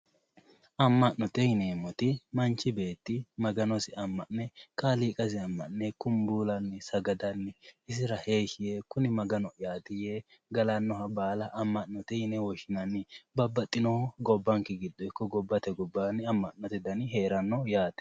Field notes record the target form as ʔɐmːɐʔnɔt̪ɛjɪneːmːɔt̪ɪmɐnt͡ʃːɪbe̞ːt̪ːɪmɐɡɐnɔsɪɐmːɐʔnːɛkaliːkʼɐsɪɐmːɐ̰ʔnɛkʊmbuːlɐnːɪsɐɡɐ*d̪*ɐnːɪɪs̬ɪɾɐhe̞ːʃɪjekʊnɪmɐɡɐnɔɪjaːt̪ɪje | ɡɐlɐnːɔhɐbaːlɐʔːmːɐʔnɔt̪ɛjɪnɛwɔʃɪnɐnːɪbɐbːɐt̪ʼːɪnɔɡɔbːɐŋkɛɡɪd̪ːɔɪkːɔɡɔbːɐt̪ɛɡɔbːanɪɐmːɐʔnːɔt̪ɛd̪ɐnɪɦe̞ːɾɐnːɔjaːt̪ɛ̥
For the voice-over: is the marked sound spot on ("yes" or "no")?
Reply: yes